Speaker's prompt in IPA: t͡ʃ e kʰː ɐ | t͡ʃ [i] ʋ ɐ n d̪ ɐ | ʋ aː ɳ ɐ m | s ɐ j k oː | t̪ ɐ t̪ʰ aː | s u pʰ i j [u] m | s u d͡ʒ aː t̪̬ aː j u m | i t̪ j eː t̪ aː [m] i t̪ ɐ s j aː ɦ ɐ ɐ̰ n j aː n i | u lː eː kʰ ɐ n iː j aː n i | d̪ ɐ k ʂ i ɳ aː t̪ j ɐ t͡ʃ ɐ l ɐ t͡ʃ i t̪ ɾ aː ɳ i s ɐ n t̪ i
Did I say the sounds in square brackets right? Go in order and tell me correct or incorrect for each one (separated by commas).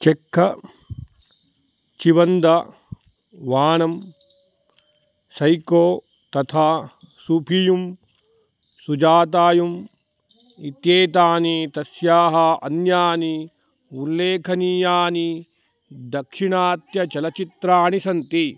correct, correct, incorrect